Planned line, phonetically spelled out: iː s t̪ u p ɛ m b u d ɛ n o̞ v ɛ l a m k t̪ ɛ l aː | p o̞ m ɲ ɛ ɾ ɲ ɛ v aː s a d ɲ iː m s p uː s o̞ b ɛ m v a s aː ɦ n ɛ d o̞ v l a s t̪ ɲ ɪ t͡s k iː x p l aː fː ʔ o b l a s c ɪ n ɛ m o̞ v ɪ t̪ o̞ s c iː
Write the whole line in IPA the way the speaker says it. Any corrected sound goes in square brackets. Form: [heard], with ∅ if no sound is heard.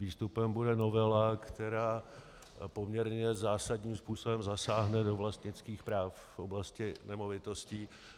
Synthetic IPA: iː s t̪ u p ɛ m b u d ɛ n o̞ v ɛ l a [∅] k t̪ ɛ [ɾ] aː | p o̞ m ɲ ɛ ɾ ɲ ɛ [z] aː s a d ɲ iː m s p uː s o̞ b ɛ m [z] a s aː ɦ n ɛ d o̞ v l a s t̪ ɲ ɪ t͡s k iː x p [ɾ] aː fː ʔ o b l a s c ɪ n ɛ m o̞ v ɪ t̪ o̞ s c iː